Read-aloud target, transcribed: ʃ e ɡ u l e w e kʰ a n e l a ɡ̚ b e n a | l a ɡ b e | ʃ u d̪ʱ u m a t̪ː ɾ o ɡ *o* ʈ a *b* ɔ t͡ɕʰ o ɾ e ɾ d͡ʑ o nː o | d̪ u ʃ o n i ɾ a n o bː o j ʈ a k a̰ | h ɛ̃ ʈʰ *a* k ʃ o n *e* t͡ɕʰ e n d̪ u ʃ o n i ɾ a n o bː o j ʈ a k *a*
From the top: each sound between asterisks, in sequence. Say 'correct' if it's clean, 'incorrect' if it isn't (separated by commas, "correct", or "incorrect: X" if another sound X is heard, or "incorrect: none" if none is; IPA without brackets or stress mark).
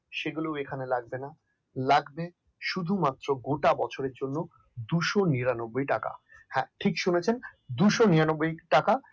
correct, correct, incorrect: i, correct, correct